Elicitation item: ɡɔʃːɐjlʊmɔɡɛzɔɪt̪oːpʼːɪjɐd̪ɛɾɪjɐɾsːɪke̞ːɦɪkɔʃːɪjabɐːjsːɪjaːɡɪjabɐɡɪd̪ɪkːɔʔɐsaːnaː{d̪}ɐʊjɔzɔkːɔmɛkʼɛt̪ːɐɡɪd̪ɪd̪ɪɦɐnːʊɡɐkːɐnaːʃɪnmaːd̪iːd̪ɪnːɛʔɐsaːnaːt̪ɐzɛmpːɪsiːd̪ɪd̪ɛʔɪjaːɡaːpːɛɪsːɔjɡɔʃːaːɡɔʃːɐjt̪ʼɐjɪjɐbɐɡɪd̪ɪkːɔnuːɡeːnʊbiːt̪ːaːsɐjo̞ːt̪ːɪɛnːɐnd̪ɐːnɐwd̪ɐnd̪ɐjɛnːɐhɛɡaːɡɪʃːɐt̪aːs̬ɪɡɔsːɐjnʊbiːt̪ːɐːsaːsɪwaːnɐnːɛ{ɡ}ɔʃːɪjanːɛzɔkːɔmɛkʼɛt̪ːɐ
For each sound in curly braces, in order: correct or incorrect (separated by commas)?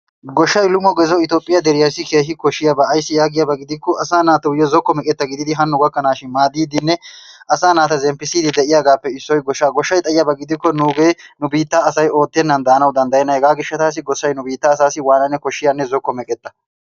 incorrect, incorrect